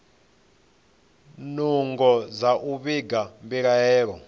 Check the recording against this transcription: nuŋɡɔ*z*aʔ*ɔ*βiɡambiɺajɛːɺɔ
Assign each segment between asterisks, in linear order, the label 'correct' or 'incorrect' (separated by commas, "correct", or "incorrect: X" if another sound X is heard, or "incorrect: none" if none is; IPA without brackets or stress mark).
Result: correct, incorrect: u